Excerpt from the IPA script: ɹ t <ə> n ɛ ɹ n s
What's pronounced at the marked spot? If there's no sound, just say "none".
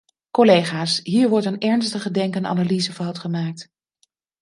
ə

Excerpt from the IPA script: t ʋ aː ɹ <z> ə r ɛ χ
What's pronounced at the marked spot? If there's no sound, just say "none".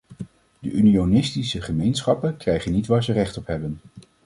z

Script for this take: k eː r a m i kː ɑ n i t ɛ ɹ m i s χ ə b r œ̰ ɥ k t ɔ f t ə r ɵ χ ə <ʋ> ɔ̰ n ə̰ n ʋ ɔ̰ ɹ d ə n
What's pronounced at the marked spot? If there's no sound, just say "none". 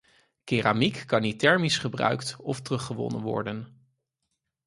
ʋ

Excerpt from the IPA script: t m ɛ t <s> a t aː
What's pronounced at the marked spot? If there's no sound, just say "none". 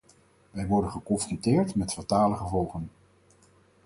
f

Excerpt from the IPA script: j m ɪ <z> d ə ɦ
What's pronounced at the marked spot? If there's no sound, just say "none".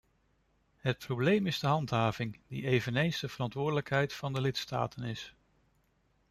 z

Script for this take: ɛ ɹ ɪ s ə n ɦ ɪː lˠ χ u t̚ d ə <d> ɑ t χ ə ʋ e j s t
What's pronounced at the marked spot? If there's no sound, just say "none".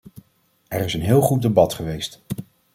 b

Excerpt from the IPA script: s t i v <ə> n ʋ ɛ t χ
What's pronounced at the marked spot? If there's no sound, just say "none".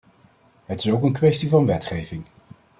ɑ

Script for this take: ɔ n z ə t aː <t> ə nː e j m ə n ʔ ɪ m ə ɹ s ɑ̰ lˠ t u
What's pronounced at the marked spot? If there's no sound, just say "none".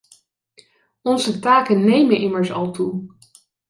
k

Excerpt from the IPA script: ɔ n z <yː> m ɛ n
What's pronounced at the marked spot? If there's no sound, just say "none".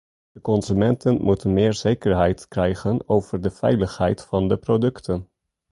y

